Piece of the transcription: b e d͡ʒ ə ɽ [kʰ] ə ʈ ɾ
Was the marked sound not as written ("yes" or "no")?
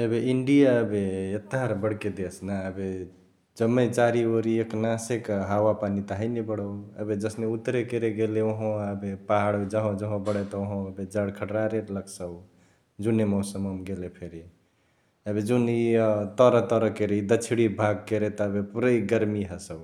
no